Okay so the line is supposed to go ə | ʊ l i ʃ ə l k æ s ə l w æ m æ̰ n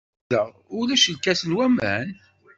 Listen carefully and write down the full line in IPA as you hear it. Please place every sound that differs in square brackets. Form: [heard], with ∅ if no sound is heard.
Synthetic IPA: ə | ʊ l [æ] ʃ ə l k æ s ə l w æ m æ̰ n